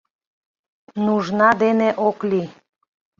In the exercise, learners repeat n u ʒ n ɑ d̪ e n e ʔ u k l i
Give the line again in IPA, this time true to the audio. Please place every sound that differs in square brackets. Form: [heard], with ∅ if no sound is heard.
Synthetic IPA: n u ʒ n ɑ d̪ e n e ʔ [o] k l i